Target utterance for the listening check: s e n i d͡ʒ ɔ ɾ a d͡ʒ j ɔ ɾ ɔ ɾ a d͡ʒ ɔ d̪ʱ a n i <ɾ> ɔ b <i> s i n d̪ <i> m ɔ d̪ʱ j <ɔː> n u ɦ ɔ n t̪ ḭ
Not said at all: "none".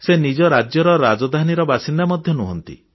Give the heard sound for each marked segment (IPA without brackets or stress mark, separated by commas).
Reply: ɾ, a, a, ɔ